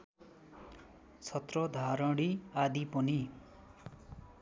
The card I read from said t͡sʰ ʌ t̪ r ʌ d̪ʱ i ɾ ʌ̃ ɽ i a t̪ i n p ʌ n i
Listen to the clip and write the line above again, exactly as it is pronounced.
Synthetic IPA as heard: t͡sʰ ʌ t̪ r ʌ d̪ʱ a ɾ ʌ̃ ɽ i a d̪ i p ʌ n i